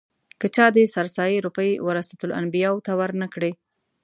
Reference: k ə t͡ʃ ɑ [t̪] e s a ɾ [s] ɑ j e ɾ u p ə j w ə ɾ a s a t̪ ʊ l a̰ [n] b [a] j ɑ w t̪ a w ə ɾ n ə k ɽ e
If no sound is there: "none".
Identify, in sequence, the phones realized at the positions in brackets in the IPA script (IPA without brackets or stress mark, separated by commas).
d̪, s, n, i